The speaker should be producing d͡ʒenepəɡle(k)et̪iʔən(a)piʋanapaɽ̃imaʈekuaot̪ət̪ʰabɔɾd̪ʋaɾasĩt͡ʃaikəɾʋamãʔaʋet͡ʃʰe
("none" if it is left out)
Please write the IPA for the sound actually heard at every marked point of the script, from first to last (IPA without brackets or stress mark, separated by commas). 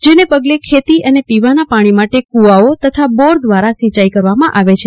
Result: kʰ, e